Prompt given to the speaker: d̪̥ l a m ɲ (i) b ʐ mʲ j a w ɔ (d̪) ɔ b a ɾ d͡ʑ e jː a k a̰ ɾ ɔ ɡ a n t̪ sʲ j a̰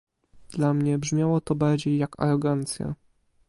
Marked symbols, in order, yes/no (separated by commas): no, no